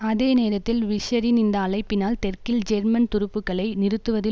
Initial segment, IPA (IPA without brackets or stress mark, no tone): ɐ